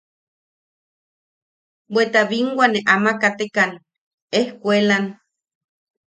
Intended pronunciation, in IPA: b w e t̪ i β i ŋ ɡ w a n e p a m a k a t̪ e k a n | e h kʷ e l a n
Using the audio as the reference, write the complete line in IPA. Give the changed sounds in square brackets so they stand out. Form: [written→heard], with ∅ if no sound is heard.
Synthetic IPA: b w e t̪ [i→a] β i ŋ ɡ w a n e [p→ʔ] a m a k a t̪ e k a n | e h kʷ e l a n